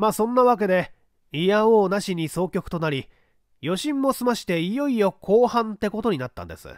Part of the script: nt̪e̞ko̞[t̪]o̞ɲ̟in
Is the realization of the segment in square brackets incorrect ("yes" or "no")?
no